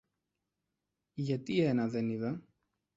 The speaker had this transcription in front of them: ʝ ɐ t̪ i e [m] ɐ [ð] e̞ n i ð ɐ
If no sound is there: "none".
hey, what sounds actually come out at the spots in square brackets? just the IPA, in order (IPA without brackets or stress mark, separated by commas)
n, ð